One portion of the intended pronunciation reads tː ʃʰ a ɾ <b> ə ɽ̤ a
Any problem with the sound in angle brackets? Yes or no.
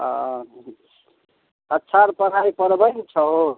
yes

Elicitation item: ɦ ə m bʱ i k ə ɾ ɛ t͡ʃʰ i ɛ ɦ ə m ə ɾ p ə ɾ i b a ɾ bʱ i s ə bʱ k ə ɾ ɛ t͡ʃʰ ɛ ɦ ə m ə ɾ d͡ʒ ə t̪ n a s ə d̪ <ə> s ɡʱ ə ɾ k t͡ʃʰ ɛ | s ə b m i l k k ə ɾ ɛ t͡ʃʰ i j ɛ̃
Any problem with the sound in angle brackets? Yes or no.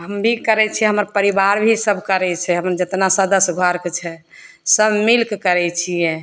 no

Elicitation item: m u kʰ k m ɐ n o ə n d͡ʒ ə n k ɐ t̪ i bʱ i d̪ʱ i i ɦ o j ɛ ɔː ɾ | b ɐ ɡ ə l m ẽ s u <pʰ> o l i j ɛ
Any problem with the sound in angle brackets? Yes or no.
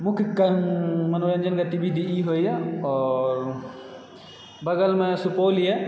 yes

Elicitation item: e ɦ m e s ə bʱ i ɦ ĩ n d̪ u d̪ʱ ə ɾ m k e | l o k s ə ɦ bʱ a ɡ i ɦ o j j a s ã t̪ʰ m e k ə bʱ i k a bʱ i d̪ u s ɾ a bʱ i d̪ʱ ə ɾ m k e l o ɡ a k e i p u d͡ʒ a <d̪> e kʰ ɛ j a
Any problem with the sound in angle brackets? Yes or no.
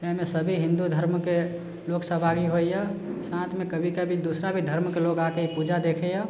no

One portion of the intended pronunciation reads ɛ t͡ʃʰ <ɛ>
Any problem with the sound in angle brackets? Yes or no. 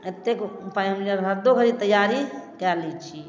yes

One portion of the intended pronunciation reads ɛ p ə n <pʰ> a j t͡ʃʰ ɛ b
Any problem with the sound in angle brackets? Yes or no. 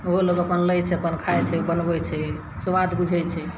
yes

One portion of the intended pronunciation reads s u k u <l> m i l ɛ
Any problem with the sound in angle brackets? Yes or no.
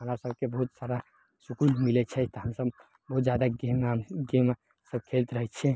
no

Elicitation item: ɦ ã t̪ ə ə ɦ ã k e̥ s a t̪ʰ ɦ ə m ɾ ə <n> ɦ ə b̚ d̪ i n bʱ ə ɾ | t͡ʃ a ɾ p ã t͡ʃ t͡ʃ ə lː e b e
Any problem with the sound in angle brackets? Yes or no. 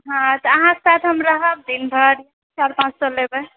yes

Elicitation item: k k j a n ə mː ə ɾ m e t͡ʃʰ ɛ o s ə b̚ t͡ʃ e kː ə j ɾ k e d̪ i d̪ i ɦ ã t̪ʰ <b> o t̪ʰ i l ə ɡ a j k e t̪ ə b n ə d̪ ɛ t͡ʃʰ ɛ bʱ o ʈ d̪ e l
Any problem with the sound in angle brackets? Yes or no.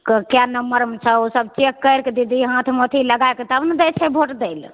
yes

